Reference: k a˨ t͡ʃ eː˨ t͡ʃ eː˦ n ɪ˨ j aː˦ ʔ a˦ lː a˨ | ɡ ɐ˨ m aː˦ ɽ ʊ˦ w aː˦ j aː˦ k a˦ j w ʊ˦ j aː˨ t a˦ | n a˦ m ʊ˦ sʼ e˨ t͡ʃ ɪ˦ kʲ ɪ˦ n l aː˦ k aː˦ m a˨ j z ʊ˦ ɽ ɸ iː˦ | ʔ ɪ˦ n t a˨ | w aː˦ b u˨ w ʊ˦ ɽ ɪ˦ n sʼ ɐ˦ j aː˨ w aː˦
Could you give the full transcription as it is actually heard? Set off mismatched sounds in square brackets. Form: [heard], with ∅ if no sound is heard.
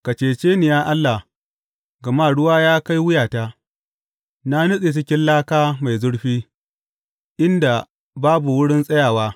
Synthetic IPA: k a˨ t͡ʃ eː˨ t͡ʃ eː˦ n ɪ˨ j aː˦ ʔ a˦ lː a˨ | ɡ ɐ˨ m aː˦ ɽ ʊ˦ w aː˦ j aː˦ k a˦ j w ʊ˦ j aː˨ t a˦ | n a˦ [n] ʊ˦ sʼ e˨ t͡ʃ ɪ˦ kʲ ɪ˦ n l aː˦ k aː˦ m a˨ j z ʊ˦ ɽ ɸ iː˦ | ʔ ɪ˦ n [d] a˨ | [b] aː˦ b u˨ w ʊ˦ ɽ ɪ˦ n sʼ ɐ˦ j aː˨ w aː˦